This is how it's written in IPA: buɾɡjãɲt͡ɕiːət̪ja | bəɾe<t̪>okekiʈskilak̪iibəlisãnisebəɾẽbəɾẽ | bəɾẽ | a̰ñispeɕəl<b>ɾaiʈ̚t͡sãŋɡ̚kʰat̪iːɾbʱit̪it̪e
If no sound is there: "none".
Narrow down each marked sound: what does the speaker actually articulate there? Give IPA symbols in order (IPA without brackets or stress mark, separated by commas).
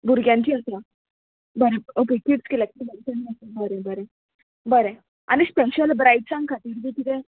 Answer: none, b